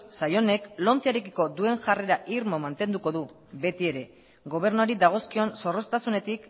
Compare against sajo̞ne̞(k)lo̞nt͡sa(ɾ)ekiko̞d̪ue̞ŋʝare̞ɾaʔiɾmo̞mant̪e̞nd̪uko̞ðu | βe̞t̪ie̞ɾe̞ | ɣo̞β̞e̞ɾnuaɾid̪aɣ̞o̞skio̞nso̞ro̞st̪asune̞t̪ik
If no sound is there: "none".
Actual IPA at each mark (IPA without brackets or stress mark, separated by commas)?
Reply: k, ɾ